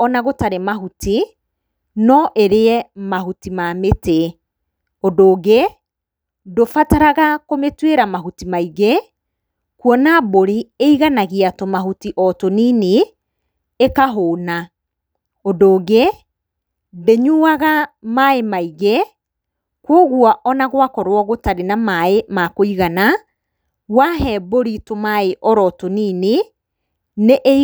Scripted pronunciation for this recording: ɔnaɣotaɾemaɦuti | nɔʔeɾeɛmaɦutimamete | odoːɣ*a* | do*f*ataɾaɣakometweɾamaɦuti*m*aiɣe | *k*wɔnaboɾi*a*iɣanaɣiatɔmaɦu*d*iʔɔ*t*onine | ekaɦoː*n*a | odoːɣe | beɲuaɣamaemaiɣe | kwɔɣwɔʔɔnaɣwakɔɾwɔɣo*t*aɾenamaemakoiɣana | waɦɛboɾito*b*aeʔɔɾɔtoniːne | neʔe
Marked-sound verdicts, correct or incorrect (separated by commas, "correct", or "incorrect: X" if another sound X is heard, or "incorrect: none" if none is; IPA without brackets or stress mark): incorrect: e, correct, correct, correct, incorrect: e, incorrect: t, correct, correct, correct, incorrect: m